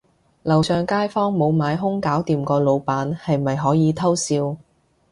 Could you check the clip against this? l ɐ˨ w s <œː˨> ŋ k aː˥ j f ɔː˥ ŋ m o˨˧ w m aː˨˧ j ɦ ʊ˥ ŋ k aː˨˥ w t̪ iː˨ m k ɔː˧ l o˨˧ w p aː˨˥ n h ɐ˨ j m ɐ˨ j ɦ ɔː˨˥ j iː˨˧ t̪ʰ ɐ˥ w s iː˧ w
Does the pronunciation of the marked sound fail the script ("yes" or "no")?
no